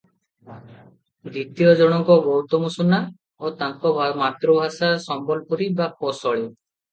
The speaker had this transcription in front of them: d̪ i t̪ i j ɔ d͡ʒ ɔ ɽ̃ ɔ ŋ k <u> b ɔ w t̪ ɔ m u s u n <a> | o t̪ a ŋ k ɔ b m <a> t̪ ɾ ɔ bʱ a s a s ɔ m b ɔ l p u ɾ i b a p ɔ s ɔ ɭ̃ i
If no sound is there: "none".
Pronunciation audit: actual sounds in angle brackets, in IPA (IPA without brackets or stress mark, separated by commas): ɔ, a, a